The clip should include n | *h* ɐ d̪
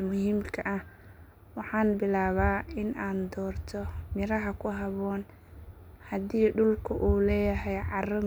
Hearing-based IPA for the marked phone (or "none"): h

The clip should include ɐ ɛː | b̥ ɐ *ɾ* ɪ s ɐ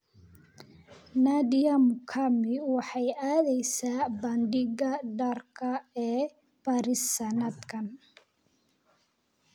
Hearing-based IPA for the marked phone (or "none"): ɾ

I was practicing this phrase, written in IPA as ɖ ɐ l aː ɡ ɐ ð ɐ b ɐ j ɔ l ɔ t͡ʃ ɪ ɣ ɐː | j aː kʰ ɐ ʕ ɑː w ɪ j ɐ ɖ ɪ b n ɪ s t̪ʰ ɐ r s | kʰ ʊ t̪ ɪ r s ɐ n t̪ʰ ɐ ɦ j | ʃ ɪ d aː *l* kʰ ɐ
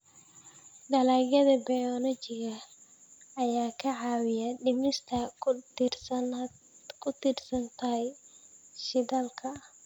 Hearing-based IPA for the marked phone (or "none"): l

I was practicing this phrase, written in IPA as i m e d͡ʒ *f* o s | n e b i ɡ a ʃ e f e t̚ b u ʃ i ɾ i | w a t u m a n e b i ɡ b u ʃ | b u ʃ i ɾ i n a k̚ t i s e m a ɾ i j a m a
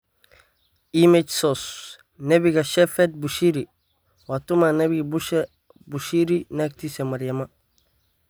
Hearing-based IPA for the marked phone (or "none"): s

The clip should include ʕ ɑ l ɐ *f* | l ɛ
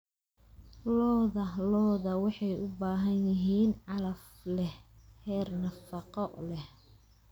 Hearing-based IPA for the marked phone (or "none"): f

